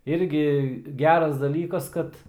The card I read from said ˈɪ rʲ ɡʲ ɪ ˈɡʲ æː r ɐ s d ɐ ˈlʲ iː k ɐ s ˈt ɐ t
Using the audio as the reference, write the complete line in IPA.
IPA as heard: ˈɪ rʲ ɡʲ ɪ ˈɡʲ æː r ɐ s d ɐ ˈlʲ iː k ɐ s ˈk ɐ t